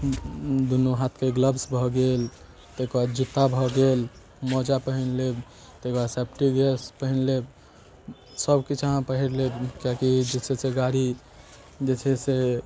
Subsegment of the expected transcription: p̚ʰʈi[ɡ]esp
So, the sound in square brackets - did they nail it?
yes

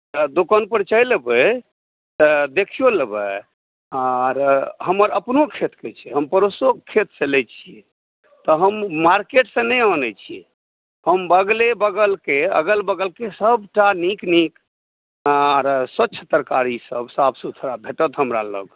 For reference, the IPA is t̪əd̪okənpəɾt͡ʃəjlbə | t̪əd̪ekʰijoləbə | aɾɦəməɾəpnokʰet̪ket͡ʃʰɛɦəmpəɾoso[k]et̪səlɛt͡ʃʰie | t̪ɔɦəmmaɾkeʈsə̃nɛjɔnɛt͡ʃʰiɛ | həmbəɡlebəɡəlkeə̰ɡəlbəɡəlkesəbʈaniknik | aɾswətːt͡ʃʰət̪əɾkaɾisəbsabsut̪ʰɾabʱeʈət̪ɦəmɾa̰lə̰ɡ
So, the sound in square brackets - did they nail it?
no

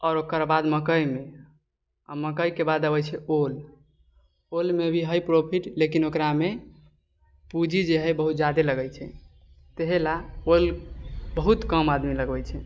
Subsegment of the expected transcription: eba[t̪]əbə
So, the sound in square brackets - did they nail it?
no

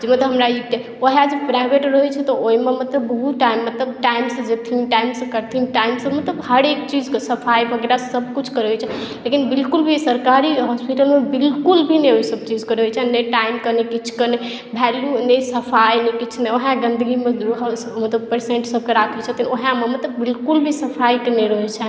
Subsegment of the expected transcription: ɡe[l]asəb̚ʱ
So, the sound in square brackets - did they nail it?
no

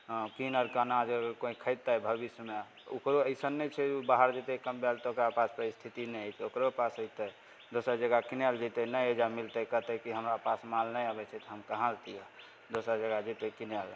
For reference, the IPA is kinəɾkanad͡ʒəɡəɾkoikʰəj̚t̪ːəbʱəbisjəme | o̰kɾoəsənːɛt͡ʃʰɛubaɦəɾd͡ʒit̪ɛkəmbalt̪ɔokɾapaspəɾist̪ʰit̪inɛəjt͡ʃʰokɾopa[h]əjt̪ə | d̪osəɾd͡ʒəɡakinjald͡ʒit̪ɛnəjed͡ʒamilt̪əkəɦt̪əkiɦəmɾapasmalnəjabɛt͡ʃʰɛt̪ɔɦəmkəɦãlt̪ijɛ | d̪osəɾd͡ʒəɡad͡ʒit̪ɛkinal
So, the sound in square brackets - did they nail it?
no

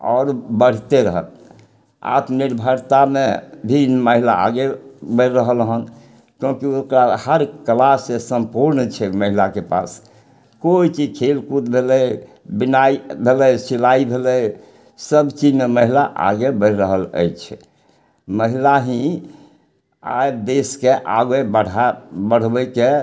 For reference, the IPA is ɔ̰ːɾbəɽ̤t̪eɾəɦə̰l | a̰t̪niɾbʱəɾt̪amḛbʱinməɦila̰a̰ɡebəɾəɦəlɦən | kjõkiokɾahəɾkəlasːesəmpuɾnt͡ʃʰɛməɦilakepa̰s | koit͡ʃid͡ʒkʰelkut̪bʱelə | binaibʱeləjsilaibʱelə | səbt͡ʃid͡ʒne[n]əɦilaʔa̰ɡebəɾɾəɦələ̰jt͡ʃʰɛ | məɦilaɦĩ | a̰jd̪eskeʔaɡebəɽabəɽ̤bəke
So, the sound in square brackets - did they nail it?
no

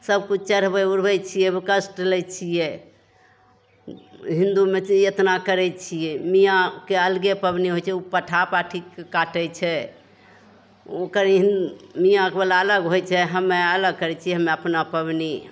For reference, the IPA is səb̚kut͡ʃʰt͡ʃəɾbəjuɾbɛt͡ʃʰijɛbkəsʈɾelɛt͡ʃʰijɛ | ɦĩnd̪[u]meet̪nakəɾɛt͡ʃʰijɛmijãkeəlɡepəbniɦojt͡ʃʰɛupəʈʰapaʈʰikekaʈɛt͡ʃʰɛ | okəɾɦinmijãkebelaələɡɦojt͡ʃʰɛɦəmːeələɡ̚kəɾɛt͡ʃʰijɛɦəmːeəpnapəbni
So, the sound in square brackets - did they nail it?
yes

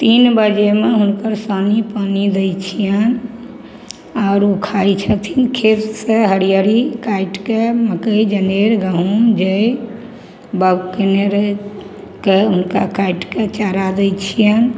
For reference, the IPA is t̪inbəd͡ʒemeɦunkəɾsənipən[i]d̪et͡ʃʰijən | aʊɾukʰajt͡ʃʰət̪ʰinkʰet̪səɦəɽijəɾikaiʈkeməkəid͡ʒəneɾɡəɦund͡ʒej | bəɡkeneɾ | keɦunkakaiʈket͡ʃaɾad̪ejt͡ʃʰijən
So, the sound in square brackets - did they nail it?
yes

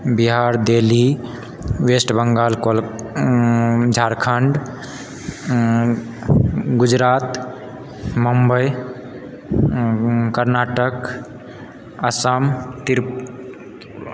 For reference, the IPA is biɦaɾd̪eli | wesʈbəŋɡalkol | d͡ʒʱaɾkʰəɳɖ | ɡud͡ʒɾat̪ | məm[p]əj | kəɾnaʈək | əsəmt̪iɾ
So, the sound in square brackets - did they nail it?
no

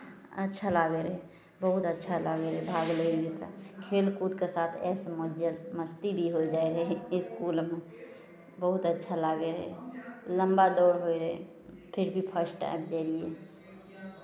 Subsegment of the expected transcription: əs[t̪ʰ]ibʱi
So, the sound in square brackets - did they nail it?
no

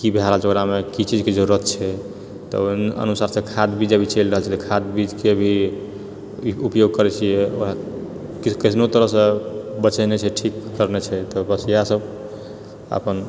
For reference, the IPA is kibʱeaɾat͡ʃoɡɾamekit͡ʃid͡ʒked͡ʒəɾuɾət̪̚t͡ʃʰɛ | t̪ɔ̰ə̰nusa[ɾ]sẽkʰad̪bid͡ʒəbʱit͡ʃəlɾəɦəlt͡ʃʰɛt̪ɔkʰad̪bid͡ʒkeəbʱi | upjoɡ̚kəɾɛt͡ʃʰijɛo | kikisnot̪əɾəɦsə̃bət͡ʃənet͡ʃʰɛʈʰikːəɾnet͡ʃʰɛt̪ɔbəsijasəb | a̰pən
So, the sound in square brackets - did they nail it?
yes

